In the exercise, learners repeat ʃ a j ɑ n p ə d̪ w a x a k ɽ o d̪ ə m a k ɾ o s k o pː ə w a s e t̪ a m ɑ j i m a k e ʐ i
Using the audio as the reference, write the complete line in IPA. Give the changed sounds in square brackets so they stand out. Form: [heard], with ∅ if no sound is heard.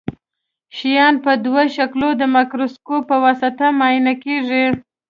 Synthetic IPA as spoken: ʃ [i] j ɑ n p ə d̪ w a [ʃ] a k [l] o d̪ ə m a k ɾ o s k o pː ə w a s [a] t̪ a m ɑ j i [n] a k e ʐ i